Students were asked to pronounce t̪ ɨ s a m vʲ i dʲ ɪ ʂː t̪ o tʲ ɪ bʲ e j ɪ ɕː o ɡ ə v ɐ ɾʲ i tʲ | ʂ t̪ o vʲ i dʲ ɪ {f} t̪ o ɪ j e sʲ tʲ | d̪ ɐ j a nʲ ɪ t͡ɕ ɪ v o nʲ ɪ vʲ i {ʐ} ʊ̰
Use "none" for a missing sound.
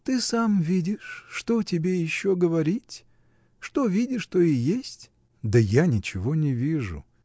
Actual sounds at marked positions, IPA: ʂ, ʐ

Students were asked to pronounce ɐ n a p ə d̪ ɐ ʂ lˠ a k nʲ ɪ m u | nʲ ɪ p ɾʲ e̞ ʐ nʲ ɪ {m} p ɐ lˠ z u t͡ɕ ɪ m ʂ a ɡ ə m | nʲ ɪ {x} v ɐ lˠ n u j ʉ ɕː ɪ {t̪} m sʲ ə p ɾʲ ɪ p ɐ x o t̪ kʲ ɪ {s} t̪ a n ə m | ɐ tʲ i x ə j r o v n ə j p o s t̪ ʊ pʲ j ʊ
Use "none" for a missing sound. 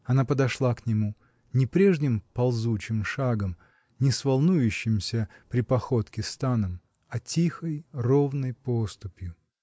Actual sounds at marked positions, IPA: m, s, none, s

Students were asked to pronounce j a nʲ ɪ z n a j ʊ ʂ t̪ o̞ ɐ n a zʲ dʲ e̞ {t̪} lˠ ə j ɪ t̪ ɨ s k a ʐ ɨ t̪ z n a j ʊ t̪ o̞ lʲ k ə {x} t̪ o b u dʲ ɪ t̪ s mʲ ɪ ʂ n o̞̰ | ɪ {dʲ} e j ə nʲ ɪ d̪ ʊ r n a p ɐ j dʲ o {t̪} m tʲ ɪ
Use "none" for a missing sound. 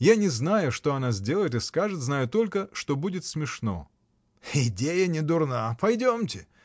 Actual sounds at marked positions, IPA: none, ʂ, dʲ, none

